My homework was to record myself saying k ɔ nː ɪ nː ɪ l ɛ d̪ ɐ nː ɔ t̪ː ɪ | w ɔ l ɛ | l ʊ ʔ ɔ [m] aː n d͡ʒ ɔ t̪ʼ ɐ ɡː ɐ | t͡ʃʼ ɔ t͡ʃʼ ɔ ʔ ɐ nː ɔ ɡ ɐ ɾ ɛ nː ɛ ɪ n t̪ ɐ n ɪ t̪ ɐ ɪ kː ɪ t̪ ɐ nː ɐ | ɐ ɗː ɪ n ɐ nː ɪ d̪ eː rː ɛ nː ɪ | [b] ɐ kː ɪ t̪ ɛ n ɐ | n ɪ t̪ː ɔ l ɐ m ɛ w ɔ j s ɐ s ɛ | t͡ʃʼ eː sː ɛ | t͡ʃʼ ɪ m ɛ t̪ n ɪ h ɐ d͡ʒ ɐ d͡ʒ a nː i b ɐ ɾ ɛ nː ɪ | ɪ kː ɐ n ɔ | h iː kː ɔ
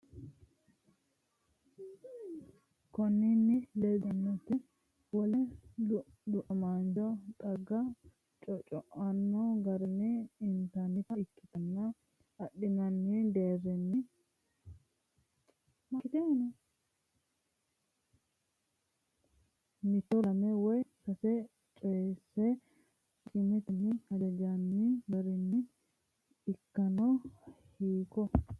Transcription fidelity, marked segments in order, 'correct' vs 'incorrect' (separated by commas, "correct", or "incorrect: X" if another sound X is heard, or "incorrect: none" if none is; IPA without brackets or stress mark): correct, incorrect: m